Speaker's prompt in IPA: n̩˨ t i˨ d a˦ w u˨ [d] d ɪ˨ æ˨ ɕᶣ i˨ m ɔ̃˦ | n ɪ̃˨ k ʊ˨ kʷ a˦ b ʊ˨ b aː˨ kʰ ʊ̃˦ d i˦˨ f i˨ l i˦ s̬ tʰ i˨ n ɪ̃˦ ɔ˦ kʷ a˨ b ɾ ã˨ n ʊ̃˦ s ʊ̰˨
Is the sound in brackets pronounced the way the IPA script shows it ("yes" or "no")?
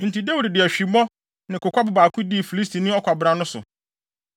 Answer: yes